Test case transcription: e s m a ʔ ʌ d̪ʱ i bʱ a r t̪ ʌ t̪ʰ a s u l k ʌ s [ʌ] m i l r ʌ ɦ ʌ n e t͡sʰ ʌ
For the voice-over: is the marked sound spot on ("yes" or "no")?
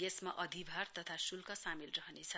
no